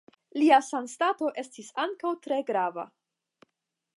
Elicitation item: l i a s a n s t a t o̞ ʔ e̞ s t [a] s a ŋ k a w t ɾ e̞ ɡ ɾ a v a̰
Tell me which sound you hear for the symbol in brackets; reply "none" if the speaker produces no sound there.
i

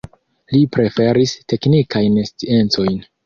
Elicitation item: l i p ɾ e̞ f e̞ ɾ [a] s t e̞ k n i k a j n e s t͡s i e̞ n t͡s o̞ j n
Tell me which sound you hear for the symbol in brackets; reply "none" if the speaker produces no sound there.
i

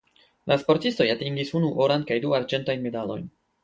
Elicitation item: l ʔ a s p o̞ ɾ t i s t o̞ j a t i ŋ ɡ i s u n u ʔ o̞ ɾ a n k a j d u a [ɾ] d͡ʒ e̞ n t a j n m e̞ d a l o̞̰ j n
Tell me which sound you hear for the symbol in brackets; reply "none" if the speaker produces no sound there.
ɾ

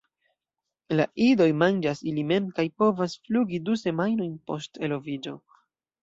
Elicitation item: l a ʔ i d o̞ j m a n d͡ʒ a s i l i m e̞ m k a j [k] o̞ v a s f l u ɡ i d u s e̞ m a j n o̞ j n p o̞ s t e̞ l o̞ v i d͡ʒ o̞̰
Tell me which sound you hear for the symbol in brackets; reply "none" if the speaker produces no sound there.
p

